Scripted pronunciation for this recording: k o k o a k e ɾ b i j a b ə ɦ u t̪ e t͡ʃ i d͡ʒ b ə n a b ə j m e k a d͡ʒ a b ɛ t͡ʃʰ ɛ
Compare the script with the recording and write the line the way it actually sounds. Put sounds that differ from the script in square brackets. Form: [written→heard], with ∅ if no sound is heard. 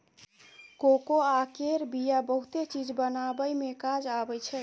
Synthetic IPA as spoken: k o k o a k e ɾ b i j a b ə ɦ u t̪ e t͡ʃ i d͡ʒ b ə n a b ə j m e k a d͡ʒ a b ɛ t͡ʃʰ ɛ